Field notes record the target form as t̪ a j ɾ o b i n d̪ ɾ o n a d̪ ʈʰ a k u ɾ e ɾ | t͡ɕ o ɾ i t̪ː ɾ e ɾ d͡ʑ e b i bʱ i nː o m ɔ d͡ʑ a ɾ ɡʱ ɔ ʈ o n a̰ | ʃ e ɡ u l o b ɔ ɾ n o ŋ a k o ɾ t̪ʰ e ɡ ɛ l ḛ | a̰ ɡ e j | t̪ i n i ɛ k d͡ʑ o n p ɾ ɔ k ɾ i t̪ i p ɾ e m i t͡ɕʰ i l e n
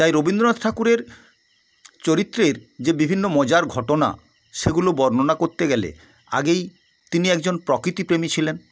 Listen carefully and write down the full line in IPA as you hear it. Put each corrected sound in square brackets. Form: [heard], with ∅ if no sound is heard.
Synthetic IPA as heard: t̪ a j ɾ o b i n d̪ ɾ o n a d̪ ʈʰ a k u ɾ e ɾ | t͡ɕ o ɾ i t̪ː ɾ e ɾ d͡ʑ e b i bʱ i nː o m ɔ d͡ʑ a ɾ ɡʱ ɔ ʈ o n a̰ | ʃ e ɡ u l o b ɔ ɾ n o [n] a k o ɾ [t̪] e ɡ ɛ l ḛ | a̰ ɡ e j | t̪ i n i ɛ k d͡ʑ o n p ɾ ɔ k ɾ i t̪ i p ɾ e m i t͡ɕʰ i l e n